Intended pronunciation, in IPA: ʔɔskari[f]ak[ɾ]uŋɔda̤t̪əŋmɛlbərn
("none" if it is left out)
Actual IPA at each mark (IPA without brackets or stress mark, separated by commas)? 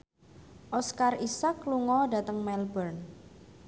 s, l